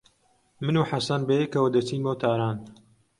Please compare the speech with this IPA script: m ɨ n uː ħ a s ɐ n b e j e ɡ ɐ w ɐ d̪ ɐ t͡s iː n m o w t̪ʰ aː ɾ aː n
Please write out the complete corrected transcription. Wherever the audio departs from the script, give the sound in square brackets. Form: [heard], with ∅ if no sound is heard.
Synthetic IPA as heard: m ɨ n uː ħ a s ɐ n b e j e [k] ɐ w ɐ d̪ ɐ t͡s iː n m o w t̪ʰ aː ɾ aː n